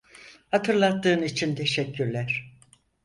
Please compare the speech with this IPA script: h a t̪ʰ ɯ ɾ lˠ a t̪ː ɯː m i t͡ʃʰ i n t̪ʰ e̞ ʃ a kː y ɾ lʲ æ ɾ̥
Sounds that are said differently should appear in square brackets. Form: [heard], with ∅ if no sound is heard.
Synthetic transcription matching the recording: h a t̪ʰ ɯ ɾ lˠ a t̪ː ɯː [n] i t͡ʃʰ i n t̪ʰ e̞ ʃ [ɛ] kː y ɾ lʲ æ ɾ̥